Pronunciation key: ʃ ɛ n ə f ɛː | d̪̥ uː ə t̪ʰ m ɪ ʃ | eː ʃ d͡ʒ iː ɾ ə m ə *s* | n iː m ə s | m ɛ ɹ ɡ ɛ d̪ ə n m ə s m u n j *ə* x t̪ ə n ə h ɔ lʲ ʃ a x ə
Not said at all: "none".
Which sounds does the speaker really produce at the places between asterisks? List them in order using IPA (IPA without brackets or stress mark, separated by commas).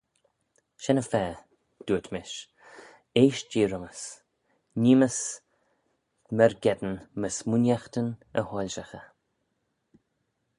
s, a